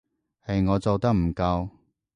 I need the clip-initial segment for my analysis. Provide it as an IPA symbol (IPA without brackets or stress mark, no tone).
h